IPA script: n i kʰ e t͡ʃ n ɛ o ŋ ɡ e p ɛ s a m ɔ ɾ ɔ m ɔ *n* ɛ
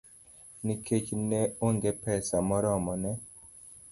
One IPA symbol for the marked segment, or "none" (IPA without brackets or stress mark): n